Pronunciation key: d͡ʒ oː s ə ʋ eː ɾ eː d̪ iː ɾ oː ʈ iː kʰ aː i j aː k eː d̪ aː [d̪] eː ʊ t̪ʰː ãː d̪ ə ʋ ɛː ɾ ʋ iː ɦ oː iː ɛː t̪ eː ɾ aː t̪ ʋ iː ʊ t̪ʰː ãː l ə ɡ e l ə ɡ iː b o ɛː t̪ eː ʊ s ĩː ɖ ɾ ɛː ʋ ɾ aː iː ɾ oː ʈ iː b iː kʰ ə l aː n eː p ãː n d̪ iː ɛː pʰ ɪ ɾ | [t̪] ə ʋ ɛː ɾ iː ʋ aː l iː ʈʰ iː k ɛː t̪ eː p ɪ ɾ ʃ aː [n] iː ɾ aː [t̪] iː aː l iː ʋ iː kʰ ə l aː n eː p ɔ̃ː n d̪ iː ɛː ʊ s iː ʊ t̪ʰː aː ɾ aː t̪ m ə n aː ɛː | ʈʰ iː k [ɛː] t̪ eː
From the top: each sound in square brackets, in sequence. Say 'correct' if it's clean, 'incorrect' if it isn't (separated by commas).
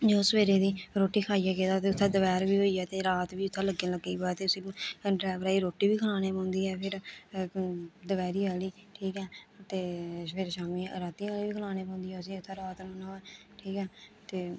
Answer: incorrect, incorrect, incorrect, correct, correct